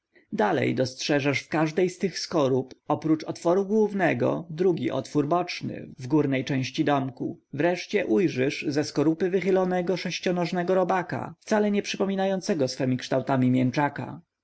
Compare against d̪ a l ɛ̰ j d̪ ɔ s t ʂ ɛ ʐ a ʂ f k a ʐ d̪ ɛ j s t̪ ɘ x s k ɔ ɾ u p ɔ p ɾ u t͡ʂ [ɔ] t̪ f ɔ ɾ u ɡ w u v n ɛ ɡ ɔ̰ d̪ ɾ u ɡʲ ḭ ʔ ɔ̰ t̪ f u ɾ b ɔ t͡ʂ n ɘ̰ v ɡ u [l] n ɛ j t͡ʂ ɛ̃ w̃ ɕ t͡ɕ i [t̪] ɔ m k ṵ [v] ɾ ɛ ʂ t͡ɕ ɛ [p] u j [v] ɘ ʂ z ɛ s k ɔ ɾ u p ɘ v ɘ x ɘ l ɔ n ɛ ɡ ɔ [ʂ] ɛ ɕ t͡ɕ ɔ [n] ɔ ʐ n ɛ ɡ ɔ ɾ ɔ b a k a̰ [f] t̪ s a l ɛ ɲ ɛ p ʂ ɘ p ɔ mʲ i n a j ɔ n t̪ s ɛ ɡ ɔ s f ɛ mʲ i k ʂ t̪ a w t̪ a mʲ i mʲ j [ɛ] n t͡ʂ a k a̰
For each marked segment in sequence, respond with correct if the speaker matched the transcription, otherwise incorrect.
correct, incorrect: ɾ, incorrect: d̪, correct, incorrect: ʔ, incorrect: ʐ, correct, correct, correct, correct

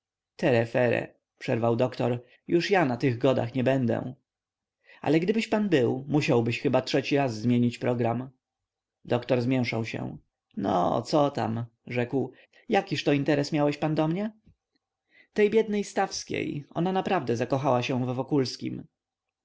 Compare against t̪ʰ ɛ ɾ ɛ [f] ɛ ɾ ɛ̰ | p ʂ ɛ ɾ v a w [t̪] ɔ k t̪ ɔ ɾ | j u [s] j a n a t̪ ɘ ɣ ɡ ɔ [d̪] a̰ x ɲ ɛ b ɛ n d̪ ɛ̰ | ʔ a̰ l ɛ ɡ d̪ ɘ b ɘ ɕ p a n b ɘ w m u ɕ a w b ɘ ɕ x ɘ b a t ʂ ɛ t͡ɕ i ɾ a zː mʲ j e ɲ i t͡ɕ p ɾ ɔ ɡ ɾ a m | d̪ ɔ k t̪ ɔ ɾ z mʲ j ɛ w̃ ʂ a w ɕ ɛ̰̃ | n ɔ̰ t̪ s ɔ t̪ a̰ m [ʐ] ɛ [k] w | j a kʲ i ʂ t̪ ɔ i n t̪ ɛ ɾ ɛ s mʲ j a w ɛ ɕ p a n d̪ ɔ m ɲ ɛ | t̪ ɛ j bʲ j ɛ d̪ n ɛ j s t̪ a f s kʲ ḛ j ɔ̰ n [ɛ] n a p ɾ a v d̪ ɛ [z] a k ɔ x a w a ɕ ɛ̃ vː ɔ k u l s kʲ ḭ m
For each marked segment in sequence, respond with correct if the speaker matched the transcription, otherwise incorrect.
correct, incorrect: d̪, incorrect: ʂ, correct, correct, correct, incorrect: a, correct

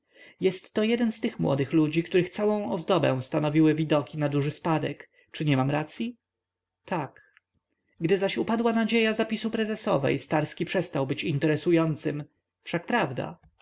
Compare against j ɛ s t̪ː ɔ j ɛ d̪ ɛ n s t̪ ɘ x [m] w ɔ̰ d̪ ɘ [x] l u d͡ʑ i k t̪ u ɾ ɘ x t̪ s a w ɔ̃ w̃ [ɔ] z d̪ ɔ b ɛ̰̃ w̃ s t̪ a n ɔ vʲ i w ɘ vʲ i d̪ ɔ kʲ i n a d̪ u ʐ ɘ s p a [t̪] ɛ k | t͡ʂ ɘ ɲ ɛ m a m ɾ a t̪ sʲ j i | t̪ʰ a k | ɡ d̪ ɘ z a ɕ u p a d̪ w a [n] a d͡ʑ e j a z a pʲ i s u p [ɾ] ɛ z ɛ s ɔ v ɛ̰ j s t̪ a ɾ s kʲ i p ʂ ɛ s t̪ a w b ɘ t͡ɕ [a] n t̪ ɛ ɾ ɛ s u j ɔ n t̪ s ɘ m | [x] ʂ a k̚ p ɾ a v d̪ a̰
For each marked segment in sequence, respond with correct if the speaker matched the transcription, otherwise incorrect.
correct, correct, correct, incorrect: d̪, correct, correct, incorrect: i, incorrect: f

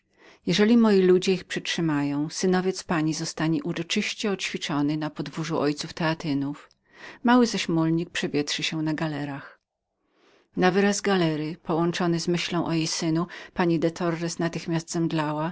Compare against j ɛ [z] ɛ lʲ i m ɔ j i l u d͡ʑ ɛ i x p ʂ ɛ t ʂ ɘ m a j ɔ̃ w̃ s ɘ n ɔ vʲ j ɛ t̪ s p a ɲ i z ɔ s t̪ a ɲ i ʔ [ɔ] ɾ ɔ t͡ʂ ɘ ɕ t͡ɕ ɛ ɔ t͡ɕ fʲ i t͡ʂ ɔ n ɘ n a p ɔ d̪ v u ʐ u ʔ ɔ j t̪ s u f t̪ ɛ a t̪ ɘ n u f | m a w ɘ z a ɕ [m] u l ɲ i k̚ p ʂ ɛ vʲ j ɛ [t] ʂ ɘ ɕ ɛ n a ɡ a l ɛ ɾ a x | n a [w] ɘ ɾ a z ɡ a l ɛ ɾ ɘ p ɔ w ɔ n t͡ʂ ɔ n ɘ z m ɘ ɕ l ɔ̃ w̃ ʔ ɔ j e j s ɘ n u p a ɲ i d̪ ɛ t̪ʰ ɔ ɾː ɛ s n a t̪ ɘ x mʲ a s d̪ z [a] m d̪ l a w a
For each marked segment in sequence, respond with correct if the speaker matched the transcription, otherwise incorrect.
incorrect: ʐ, incorrect: u, correct, correct, incorrect: v, incorrect: ɛ

